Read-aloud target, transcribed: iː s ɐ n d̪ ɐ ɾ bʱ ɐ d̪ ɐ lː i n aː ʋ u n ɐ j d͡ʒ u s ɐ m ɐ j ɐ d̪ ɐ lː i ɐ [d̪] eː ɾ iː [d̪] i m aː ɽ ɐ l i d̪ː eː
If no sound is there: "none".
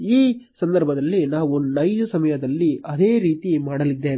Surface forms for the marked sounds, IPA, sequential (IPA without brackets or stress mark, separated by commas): d̪, t̪